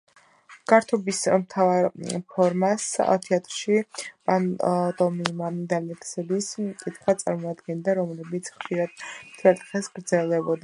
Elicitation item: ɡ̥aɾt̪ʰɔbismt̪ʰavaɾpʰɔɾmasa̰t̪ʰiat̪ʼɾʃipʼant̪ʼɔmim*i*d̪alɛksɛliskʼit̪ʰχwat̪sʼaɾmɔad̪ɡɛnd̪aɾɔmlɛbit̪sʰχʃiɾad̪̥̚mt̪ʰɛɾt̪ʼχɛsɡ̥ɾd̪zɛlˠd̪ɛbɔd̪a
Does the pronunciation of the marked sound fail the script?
yes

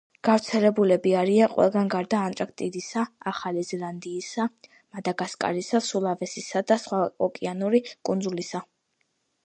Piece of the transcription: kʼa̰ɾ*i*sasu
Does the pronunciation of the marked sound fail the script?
no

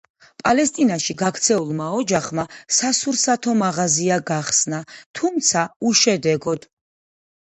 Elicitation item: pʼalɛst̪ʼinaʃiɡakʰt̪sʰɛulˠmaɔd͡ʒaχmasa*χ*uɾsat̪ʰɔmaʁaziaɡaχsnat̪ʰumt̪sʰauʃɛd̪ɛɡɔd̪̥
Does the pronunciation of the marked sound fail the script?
yes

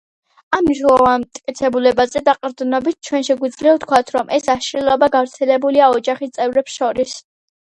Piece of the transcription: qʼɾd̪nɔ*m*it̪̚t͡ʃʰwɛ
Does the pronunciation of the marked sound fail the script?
yes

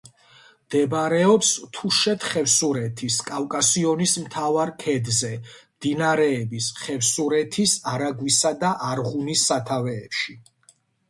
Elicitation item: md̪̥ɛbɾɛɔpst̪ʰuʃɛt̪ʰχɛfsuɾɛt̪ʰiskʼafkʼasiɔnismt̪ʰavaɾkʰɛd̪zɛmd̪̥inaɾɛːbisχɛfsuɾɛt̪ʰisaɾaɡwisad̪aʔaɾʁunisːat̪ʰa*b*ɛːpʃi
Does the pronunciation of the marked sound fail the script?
yes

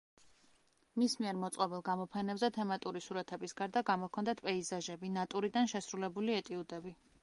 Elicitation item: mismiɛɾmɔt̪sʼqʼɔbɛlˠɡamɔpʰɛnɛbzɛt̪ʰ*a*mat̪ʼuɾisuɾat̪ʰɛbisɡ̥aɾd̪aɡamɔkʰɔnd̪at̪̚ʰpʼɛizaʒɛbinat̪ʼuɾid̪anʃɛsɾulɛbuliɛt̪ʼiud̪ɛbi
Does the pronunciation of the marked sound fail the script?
yes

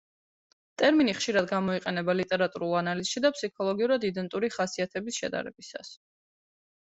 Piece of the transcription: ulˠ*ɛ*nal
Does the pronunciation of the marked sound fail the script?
yes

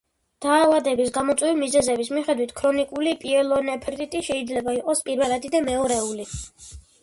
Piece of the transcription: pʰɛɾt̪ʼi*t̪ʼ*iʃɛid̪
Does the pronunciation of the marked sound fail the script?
no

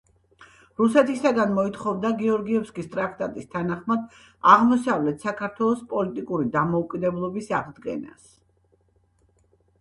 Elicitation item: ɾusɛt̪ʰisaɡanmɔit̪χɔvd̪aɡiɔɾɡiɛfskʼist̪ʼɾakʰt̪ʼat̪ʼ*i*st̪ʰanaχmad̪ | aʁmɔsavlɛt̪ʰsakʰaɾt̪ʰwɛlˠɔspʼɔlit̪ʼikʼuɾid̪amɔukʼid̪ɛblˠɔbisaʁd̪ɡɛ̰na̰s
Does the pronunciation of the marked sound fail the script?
no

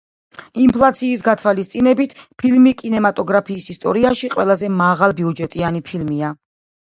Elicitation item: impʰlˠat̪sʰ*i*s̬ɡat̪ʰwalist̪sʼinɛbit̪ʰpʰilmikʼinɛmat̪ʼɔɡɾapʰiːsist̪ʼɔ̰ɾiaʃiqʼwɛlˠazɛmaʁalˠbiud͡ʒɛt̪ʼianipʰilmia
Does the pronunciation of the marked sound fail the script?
yes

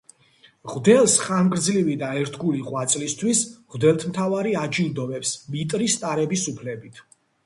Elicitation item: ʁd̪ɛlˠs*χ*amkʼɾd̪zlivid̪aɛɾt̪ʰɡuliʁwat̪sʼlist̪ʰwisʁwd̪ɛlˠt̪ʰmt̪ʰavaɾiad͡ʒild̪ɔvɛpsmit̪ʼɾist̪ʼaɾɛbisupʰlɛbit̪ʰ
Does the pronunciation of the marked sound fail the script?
no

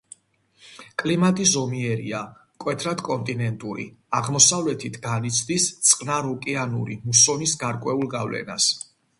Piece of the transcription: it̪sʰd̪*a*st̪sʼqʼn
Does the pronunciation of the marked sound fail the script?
yes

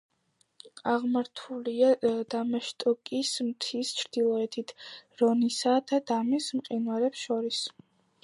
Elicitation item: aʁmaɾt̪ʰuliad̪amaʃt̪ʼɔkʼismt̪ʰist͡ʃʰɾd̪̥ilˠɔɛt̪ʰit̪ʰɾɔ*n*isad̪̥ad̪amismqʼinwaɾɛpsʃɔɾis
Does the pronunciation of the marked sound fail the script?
no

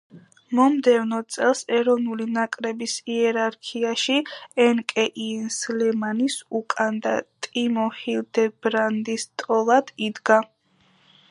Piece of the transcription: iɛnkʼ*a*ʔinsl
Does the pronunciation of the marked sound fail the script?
yes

